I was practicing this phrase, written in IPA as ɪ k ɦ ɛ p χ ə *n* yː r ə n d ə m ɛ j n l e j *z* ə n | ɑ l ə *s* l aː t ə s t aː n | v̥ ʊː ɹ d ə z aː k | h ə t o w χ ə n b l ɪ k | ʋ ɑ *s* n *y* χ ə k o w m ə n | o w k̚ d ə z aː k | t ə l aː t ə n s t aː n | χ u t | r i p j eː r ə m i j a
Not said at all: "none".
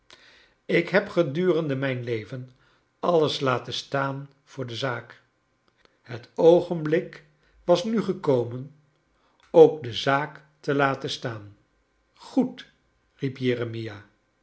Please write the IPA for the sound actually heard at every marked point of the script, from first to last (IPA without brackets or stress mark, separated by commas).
d, v, s, s, y